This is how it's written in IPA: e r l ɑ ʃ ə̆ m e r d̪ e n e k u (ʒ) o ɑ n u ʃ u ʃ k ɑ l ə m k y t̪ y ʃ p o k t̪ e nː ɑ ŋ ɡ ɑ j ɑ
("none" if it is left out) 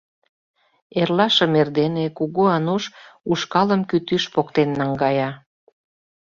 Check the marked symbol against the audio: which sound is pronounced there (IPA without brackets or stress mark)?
ɣ